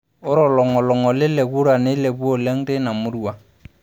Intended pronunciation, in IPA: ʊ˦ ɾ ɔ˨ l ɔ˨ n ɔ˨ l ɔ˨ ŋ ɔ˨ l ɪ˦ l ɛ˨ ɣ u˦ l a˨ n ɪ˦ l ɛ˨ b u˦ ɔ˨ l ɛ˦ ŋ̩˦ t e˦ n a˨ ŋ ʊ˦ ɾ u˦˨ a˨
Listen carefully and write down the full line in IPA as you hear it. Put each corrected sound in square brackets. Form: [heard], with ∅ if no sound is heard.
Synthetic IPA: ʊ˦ ɾ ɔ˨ l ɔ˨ [ŋ] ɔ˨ l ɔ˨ ŋ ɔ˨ l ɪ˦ l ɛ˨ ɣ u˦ [ɾ] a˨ n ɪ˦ l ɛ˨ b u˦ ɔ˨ l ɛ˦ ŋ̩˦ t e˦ n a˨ [m] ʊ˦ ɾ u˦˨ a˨